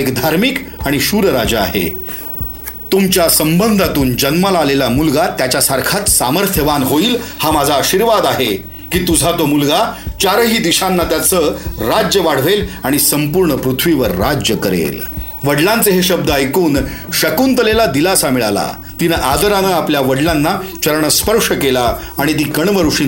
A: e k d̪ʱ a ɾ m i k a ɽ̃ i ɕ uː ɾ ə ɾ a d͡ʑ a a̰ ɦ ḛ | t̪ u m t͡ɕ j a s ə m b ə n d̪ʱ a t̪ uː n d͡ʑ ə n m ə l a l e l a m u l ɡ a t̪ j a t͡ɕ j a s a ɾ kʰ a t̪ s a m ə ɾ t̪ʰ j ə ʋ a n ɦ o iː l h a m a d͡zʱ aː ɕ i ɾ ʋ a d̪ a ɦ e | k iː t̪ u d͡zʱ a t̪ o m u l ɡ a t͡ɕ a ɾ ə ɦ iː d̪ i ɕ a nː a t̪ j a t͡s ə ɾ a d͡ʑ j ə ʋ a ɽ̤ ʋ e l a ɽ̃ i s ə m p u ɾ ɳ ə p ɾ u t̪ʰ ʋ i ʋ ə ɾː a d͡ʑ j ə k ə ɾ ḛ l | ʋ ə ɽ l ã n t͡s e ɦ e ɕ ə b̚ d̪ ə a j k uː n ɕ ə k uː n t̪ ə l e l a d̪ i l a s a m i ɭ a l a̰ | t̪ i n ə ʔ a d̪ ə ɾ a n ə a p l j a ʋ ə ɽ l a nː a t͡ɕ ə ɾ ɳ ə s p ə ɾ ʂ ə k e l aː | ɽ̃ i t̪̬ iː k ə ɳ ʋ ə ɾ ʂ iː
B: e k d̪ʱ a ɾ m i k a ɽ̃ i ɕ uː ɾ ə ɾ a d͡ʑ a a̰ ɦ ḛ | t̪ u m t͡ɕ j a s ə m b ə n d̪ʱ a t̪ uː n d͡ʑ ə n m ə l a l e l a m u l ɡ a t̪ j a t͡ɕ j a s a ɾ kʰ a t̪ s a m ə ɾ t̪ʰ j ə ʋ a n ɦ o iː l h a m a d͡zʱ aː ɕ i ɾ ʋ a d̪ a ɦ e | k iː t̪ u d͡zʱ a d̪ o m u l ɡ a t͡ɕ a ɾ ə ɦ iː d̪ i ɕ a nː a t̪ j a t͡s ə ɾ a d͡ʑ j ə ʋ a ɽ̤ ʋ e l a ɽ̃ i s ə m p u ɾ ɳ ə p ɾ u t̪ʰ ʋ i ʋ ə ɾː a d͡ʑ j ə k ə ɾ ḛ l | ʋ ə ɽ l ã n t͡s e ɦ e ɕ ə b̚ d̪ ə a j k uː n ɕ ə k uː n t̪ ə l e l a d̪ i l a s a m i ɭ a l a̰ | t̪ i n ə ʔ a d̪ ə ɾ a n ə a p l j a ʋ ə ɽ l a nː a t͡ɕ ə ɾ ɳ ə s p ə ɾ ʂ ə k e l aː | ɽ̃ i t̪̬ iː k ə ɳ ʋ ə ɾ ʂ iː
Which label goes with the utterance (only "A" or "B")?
A